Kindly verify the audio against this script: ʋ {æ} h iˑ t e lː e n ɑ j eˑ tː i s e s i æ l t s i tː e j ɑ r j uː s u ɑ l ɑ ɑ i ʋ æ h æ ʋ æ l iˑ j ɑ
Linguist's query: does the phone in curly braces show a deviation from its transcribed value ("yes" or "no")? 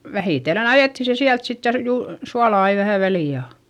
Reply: no